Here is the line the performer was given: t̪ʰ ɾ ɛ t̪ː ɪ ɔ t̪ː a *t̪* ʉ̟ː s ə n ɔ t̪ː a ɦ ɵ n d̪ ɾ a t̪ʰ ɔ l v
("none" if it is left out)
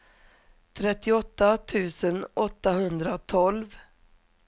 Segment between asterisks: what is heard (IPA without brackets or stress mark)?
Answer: t̪ʰ